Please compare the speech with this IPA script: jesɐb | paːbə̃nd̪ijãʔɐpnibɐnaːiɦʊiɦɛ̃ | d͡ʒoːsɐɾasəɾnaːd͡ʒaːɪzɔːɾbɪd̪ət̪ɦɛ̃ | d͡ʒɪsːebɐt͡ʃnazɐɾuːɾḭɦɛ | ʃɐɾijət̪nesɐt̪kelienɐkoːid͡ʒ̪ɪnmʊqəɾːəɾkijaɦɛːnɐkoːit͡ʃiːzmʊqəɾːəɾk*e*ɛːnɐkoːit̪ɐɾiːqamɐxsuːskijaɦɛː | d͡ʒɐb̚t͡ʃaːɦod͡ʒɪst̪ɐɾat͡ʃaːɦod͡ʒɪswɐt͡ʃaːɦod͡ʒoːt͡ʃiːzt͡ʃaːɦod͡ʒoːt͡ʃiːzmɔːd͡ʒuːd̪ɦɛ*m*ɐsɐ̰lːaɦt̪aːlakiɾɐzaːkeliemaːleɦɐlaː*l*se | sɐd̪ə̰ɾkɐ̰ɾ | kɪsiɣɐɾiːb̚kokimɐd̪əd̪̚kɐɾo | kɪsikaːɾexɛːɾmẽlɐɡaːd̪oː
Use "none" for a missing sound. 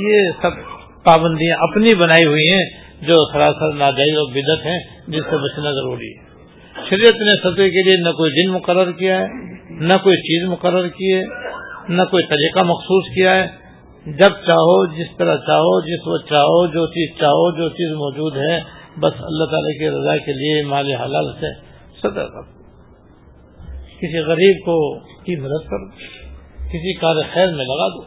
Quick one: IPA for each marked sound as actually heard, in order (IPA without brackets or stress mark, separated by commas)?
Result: i, b, l